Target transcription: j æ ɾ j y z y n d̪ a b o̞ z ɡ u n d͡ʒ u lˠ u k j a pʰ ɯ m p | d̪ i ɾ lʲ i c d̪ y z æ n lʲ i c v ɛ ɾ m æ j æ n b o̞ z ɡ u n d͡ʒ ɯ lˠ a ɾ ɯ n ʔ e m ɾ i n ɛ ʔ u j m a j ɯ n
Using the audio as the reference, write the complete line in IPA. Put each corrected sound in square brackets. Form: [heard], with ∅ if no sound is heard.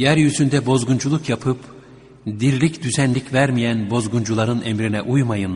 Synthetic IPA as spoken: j æ ɾ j y z y n d̪ [ɛ] b o̞ z ɡ u n d͡ʒ u lˠ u k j a pʰ ɯ [∅] p | d̪ i ɾ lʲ i c d̪ y z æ n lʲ i c v [æ] ɾ m [i] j æ n b o̞ z ɡ u n d͡ʒ [u] lˠ a ɾ ɯ n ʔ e m ɾ i n ɛ ʔ u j m a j ɯ n